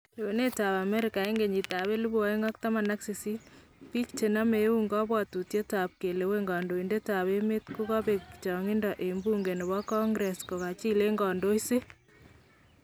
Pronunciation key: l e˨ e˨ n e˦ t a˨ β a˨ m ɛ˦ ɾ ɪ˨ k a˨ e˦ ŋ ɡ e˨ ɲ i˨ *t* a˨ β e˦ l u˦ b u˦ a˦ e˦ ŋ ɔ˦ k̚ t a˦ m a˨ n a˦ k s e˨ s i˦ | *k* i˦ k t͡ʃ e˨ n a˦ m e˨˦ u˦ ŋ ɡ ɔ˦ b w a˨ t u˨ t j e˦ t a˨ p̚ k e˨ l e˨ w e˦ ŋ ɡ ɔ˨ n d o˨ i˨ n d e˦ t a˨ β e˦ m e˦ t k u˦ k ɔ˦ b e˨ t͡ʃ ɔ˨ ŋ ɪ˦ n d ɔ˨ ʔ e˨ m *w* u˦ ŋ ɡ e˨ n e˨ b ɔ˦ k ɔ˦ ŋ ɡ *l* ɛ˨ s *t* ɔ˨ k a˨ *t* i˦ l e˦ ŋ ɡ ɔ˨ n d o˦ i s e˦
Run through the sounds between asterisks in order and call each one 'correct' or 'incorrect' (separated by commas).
correct, incorrect, incorrect, incorrect, incorrect, incorrect